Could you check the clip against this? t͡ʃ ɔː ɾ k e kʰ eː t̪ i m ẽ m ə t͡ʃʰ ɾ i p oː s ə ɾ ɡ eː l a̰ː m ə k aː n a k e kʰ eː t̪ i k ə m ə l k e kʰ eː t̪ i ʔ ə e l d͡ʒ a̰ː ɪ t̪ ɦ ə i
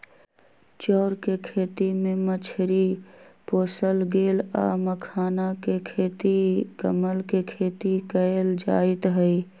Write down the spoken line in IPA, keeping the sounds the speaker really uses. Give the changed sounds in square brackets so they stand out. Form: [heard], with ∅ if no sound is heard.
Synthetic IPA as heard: t͡ʃ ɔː ɾ k e kʰ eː t̪ i m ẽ m ə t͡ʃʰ ɾ i p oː s ə [l] ɡ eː l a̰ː m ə [kʰ] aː n a k e kʰ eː t̪ i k ə m ə l k e kʰ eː t̪ i [k] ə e l d͡ʒ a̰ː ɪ t̪ ɦ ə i